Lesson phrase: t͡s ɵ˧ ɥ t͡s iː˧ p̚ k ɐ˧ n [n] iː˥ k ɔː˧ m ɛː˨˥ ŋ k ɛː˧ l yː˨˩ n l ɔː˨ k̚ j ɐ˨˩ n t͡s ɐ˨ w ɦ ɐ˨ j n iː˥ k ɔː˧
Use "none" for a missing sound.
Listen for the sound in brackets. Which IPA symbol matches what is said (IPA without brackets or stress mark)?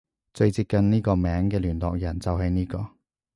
n